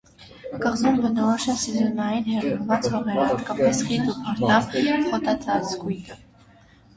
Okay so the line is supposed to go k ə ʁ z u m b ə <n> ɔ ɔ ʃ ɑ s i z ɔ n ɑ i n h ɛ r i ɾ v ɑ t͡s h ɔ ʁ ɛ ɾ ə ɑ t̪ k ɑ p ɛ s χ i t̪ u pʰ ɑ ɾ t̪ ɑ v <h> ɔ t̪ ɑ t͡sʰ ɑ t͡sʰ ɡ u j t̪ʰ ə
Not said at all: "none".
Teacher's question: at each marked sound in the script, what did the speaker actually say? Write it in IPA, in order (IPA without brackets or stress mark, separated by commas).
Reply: n, χ